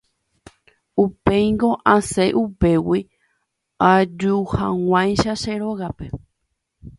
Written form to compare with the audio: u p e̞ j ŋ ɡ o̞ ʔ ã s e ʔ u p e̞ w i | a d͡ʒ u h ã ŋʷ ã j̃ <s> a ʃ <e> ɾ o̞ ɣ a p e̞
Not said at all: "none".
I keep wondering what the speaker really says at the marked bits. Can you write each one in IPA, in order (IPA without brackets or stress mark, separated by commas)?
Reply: ʃ, e